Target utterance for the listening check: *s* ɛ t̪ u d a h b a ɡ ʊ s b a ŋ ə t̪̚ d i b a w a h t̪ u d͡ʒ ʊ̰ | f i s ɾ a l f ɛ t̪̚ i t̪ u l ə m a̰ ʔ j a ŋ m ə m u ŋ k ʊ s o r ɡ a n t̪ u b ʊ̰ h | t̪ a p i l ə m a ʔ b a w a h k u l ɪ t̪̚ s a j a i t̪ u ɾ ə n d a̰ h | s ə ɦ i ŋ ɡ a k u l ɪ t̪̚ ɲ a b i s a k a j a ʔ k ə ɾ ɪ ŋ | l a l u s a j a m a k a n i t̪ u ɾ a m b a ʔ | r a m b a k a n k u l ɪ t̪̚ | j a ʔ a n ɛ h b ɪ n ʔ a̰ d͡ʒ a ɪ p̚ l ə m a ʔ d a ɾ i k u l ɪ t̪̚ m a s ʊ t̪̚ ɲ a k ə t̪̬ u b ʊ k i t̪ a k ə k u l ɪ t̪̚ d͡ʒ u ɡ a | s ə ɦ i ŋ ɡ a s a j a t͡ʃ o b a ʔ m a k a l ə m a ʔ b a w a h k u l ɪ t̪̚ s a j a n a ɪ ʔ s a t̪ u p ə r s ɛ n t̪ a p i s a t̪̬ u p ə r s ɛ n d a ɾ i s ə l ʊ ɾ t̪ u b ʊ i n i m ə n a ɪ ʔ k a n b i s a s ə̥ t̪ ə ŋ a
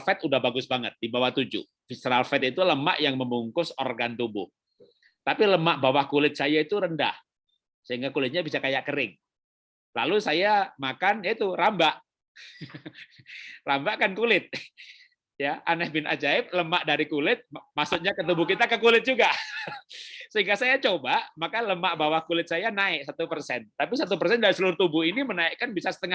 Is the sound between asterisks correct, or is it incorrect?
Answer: incorrect